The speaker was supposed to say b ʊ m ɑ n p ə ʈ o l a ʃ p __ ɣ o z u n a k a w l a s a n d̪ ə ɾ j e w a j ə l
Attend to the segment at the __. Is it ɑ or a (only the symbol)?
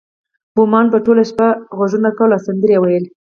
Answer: a